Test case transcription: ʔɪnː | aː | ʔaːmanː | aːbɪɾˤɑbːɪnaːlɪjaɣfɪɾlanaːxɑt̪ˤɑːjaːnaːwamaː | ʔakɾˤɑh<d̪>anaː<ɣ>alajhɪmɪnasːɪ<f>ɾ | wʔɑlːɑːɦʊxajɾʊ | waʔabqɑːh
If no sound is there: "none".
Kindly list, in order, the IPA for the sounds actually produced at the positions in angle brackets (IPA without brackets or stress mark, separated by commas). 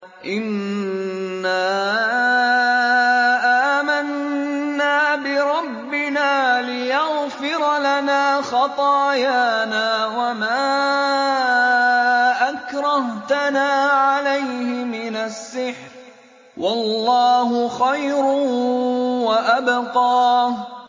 t̪, ʕ, ħ